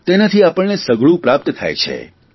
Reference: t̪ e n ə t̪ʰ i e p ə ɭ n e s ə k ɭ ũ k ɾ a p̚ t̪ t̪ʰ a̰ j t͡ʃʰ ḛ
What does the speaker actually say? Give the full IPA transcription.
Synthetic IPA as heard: t̪ e n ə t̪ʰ i a p ə ɭ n e s ə ɡ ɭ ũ p ɾ a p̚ t̪ t̪ʰ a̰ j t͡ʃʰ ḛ